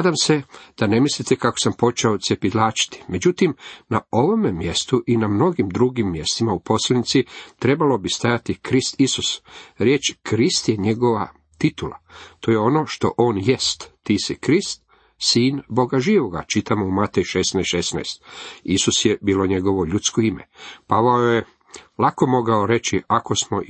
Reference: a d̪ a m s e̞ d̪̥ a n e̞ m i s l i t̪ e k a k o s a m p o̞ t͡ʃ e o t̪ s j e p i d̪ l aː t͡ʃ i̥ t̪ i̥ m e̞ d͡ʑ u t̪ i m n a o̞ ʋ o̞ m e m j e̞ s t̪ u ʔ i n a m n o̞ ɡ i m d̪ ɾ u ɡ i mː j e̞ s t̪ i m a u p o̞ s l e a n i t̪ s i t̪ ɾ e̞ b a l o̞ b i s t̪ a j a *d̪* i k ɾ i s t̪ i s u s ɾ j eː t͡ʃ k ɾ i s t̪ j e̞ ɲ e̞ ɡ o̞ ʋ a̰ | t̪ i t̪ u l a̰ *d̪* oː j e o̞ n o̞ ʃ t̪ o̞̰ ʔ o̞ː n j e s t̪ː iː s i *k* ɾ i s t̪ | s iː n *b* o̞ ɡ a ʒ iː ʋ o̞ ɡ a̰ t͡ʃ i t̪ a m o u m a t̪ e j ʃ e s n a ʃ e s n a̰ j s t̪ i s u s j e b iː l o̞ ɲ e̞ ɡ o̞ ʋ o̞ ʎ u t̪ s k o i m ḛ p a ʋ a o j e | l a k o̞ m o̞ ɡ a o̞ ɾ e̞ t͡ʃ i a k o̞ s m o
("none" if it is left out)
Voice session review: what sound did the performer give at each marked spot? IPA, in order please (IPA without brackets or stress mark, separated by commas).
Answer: t̪, t̪, k, b